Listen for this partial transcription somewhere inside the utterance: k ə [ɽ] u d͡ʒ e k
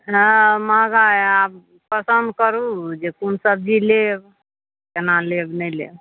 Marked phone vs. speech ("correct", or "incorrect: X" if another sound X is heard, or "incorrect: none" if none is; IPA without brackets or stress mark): incorrect: ɾ